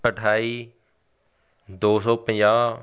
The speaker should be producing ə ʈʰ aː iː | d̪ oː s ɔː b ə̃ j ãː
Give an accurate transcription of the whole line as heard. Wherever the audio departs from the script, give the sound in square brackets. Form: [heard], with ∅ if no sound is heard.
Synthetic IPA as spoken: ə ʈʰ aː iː | d̪ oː s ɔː [p] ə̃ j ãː